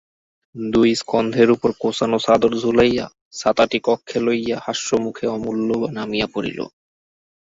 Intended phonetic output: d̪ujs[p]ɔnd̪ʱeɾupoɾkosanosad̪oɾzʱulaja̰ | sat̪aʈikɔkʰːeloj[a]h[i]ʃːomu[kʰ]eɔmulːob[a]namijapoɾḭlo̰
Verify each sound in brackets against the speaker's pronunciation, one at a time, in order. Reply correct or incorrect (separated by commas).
incorrect, correct, incorrect, correct, correct